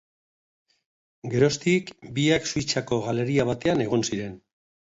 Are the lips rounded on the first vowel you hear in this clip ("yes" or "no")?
no